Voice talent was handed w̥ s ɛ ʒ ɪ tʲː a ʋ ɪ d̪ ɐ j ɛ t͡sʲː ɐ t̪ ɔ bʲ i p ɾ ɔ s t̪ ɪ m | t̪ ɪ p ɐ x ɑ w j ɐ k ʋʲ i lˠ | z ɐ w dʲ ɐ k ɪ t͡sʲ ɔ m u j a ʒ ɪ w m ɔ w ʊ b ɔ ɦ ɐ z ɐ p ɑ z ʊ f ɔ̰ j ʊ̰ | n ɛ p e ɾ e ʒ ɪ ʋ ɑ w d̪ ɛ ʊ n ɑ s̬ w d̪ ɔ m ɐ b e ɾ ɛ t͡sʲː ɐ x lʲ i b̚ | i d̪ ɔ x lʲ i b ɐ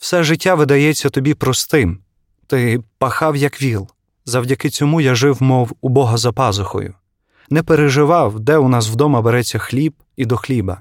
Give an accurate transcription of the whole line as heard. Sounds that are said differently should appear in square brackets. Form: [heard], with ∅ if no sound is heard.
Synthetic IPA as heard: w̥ s ɛ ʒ ɪ tʲː a ʋ ɪ d̪ ɐ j ɛ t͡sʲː ɐ t̪ ɔ bʲ i p ɾ ɔ s t̪ ɪ m | t̪ ɪ p ɐ x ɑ w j ɐ k ʋʲ i lˠ | z ɐ w dʲ ɐ k ɪ t͡sʲ ɔ m u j a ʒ ɪ w m ɔ w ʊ b ɔ ɦ ɐ z ɐ p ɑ z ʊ [x] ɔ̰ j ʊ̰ | n ɛ p e ɾ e ʒ ɪ ʋ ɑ w d̪ ɛ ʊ n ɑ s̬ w d̪ ɔ m ɐ b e ɾ ɛ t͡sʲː ɐ x lʲ i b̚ | i d̪ ɔ x lʲ i b ɐ